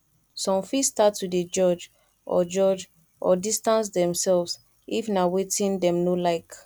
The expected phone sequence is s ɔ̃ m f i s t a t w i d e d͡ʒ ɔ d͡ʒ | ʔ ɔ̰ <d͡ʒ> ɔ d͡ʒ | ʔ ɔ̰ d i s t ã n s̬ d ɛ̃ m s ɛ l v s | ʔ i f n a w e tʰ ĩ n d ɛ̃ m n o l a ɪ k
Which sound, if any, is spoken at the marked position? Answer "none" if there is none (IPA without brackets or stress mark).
d͡ʒ